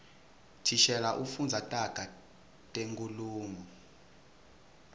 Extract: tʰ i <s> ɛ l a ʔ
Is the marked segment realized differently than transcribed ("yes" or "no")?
yes